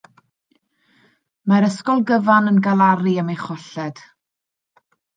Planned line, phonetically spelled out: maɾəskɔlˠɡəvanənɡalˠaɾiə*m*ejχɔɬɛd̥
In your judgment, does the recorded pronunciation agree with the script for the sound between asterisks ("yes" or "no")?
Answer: yes